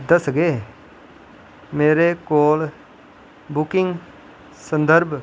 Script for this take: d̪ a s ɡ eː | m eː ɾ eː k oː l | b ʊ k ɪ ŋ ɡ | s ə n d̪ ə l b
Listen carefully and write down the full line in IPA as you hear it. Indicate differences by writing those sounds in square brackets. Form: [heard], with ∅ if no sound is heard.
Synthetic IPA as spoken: d̪ [ə] s ɡ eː | m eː ɾ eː k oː l | b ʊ k ɪ ŋ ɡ | s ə n d̪ ə [ɾ] b